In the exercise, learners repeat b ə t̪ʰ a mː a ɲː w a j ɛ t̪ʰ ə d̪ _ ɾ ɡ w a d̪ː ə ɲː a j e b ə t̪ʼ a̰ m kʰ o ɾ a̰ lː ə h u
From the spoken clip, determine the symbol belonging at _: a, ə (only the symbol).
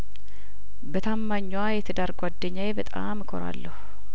a